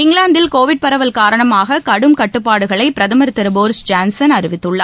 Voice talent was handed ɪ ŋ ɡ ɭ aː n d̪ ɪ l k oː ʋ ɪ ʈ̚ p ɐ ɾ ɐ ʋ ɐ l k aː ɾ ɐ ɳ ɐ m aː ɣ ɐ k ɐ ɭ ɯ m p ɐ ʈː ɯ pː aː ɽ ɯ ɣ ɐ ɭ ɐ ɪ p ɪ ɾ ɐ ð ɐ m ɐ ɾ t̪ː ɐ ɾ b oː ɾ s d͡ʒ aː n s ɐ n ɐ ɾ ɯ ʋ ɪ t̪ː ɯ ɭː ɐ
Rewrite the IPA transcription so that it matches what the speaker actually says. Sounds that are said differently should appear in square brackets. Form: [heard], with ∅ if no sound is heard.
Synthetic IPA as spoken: ɪ ŋ ɡ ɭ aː n d̪ ɪ l k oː ʋ ɪ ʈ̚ p ɐ ɾ ɐ ʋ ɐ l k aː ɾ ɐ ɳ ɐ m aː ɣ ɐ k ɐ [ɽ] ɯ m [k] ɐ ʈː ɯ pː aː ɽ ɯ ɣ ɐ ɭ ɐ ɪ p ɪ ɾ ɐ ð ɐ m ɐ ɾ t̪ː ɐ ɾ b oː ɾ s d͡ʒ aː n s ɐ n ɐ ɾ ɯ ʋ ɪ t̪ː ɯ ɭː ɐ